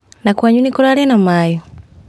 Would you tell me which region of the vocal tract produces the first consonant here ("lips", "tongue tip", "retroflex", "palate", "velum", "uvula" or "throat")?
tongue tip